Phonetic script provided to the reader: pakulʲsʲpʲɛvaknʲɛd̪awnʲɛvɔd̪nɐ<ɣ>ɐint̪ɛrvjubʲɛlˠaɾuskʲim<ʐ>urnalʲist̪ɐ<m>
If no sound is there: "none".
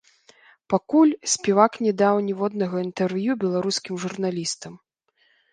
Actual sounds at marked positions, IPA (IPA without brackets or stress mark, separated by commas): ɣ, ʐ, m